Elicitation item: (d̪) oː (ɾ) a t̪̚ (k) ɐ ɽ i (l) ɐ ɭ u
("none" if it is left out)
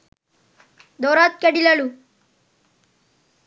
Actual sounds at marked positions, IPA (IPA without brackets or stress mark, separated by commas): d̪, ɾ, k, l